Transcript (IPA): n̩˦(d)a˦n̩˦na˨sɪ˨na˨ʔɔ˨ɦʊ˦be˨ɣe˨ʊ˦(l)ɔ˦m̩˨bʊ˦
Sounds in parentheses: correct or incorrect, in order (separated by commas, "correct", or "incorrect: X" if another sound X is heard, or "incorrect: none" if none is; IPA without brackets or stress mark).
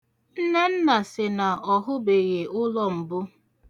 incorrect: n, correct